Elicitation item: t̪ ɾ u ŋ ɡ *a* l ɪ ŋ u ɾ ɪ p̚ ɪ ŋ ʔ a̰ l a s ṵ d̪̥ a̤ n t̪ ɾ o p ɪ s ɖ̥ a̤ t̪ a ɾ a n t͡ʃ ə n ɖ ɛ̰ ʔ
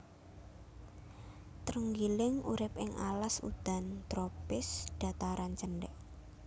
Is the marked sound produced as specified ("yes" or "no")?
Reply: no